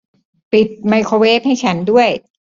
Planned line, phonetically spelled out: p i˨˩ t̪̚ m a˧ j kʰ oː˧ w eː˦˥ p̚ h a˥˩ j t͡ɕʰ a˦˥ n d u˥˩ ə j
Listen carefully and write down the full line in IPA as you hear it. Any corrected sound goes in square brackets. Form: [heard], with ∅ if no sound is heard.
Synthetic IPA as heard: p i˨˩ t̪̚ m a˧ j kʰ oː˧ w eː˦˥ p̚ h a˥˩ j t͡ɕʰ a˦˥ n d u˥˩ ə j